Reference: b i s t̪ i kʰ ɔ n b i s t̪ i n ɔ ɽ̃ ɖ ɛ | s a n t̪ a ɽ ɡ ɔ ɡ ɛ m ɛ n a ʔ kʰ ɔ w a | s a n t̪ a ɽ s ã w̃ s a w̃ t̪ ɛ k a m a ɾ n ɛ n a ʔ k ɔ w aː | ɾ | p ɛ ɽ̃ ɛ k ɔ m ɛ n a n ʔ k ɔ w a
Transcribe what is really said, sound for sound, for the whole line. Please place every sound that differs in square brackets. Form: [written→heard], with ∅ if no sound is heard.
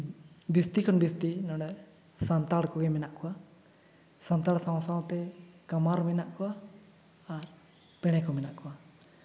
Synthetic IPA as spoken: b i s t̪ i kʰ ɔ n b i s t̪ i n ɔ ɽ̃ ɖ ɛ | s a n t̪ a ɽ [ɡ→k] ɔ ɡ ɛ m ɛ n a ʔ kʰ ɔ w a | s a n t̪ a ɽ s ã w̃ s a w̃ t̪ ɛ k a m a ɾ [n→m] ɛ n a ʔ k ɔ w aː | ɾ | p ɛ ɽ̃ ɛ k ɔ m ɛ n a [n→∅] ʔ k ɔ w a